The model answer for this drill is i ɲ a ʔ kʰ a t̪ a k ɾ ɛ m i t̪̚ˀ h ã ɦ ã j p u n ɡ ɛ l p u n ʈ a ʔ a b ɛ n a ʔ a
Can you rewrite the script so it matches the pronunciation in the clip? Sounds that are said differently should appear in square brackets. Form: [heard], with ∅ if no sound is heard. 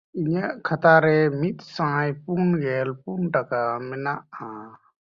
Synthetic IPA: i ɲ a ʔ kʰ a t̪ a [∅] ɾ ɛ m i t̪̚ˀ [s] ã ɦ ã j p u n ɡ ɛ l p u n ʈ a [k] a [m] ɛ n a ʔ a